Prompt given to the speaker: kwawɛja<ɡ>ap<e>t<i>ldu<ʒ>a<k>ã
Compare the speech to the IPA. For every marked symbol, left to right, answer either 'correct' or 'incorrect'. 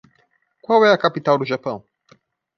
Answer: incorrect: k, incorrect: i, incorrect: a, correct, incorrect: p

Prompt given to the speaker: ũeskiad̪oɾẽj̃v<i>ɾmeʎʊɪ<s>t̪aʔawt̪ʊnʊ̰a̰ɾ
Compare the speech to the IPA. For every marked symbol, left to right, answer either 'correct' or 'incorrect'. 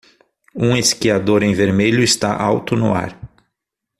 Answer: incorrect: e, correct

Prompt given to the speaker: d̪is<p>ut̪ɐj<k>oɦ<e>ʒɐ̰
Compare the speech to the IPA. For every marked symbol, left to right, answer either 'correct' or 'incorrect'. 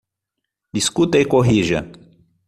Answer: incorrect: k, correct, incorrect: i

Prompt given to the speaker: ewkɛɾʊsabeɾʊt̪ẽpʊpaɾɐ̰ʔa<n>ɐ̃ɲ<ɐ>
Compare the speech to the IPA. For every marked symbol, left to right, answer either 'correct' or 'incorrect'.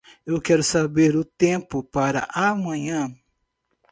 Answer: incorrect: m, incorrect: ɐ̃

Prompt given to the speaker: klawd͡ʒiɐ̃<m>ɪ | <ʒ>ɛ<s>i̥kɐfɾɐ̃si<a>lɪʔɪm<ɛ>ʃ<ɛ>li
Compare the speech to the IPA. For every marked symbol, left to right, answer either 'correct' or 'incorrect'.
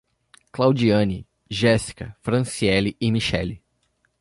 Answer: incorrect: n, correct, correct, incorrect: ɛ, incorrect: i, correct

